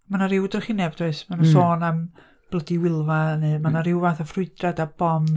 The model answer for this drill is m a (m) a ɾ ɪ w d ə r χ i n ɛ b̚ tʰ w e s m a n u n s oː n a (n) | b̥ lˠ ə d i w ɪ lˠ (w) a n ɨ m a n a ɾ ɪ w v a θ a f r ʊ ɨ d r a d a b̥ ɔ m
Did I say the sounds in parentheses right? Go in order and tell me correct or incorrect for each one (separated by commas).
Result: incorrect, incorrect, incorrect